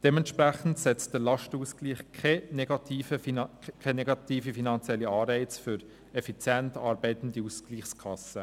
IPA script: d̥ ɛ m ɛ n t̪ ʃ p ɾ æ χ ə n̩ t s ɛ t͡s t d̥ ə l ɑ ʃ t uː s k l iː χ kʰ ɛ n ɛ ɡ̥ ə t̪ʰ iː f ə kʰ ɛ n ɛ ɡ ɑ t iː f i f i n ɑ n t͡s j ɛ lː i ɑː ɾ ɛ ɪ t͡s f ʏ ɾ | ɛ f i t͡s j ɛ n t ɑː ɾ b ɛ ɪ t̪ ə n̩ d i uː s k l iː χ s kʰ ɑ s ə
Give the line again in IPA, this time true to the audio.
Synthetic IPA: d̥ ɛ m ɛ n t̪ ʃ p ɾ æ χ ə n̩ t s ɛ t͡s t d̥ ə l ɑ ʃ t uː s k l iː χ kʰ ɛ n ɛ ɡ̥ ɑ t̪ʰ iː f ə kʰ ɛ n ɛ ɡ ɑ t iː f i f i n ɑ n t͡s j ɛ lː i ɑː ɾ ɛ ɪ t͡s f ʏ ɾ | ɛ f i t͡s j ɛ n t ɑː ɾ b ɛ ɪ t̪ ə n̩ d i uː s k l iː χ s kʰ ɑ s ə